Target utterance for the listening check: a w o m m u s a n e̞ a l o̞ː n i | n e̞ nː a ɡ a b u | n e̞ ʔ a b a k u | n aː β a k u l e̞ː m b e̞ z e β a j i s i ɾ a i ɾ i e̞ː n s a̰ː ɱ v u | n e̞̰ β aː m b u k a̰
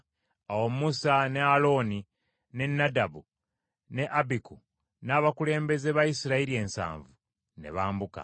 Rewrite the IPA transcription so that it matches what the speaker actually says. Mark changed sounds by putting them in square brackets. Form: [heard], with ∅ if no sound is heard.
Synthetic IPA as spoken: a w o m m u s a n e̞ a l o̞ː n i | n e̞ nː a [d] a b u | n e̞ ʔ a b [i] k u | n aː β a k u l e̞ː m b e̞ z e β a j i s i ɾ a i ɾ i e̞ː n s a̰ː ɱ v u | n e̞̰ β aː m b u k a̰

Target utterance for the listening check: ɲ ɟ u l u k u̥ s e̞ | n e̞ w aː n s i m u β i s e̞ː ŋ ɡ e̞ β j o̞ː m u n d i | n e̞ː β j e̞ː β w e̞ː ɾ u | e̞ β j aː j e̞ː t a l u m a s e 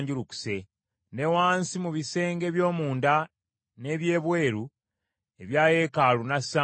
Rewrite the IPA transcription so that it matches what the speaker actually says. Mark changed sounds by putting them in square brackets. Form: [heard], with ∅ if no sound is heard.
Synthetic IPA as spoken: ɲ ɟ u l u k u̥ s e̞ | n e̞ w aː n s i m u β i s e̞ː ŋ ɡ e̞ β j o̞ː m [uː] n d [a] | n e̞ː β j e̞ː β w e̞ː ɾ u | e̞ β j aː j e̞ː [k] a l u [n] a s [a]

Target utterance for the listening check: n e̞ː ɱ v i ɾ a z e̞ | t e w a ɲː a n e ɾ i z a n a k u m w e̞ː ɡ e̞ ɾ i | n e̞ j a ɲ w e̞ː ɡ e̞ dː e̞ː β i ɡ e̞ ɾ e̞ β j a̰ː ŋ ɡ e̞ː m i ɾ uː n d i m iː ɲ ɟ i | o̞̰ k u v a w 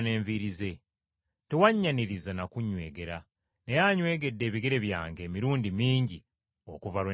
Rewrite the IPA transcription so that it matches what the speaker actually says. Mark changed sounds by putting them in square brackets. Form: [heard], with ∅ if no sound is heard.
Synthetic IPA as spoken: n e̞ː ɱ v i ɾ [i] z e̞ | t e w a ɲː a n [i] ɾ i z a n a k u [ɲ] w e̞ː ɡ e̞ ɾ [a] | n e̞ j a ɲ w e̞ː ɡ e̞ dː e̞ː β i ɡ e̞ ɾ e̞ β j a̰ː ŋ ɡ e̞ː m i ɾ uː n d i m iː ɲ ɟ i | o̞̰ k u v a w

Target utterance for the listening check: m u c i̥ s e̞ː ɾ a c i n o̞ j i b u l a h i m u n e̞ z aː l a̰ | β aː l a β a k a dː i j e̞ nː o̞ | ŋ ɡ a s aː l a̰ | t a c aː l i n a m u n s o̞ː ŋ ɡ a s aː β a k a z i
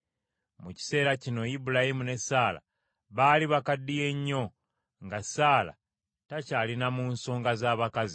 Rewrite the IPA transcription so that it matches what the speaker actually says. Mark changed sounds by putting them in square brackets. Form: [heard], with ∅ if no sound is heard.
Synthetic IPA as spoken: m u c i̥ s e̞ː ɾ a c i n o̞ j i b u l a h i m u n e̞ [s] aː l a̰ | β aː l [i] β a k a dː i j e̞ [ɲː] o̞ | ŋ ɡ a s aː l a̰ | t a c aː l i n a m u n s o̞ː ŋ ɡ a [z] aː β a k a z i

